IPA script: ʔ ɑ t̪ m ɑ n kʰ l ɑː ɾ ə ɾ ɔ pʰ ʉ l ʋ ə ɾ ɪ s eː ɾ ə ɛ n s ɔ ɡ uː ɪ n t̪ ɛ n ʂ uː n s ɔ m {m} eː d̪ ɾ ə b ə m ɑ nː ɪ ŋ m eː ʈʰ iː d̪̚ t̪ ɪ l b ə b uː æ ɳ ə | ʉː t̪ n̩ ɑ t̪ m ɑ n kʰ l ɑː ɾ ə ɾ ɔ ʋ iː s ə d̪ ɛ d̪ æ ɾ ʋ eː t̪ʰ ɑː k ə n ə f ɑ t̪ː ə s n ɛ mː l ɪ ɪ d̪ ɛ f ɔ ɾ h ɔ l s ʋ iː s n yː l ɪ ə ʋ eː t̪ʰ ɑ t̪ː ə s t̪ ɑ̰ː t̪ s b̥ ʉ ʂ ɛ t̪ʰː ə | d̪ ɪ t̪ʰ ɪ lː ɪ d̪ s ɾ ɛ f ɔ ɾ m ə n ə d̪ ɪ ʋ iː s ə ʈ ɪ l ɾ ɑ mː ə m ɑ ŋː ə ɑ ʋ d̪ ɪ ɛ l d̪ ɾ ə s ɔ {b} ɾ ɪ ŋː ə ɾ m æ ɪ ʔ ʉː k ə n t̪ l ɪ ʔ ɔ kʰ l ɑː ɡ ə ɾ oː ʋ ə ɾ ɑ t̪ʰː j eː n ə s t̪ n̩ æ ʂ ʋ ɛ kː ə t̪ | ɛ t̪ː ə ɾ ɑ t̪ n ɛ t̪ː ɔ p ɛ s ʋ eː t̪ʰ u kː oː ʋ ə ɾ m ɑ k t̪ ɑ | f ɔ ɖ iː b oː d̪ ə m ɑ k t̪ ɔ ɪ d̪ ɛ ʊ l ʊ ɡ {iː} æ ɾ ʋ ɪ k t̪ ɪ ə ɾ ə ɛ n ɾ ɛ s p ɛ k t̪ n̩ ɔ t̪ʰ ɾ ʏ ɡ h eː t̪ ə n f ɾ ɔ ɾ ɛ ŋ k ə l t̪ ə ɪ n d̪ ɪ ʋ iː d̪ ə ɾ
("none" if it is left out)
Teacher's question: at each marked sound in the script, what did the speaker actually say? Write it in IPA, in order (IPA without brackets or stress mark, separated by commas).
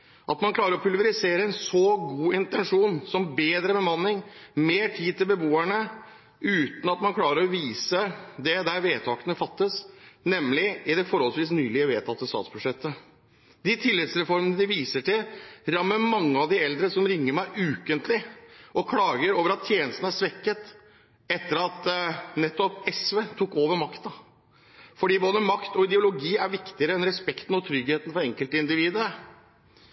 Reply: b, m, iː